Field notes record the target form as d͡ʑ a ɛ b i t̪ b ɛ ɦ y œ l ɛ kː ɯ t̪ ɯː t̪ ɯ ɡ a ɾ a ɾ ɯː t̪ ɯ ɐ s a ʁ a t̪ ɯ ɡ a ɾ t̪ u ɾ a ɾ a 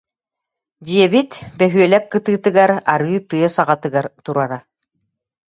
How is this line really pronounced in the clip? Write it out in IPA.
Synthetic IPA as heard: d͡ʑ i ɛ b i t̪ b ɛ ɦ y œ l ɛ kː ɯ t̪ ɯː t̪ ɯ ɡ a ɾ a ɾ ɯː t̪ ɯ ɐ s a ʁ a t̪ ɯ ɡ a ɾ t̪ u ɾ a ɾ a